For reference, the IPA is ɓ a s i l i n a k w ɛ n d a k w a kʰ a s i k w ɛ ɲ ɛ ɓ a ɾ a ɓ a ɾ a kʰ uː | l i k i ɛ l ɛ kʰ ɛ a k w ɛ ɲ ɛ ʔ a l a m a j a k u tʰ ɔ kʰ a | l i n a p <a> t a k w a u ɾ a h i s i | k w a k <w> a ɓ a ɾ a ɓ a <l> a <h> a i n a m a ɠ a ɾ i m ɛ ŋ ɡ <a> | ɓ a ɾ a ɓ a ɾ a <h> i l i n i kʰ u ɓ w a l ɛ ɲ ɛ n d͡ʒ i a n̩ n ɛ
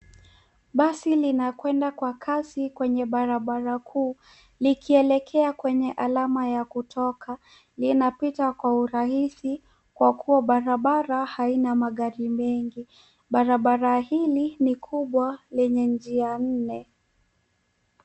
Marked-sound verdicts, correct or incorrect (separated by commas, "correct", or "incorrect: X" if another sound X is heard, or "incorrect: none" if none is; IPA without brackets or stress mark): incorrect: i, incorrect: u, incorrect: ɾ, correct, incorrect: i, correct